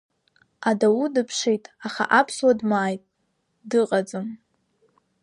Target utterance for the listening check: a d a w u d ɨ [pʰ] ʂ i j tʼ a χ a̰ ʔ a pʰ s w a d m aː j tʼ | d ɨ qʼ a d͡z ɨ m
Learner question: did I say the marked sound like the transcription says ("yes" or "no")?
yes